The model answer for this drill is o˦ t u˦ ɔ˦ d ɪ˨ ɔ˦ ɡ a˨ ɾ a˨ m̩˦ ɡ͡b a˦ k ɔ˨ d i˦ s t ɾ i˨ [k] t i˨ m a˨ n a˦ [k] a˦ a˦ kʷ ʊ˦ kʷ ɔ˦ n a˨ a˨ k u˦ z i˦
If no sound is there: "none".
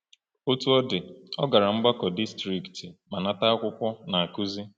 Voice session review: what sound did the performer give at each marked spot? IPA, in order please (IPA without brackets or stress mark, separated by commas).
k, t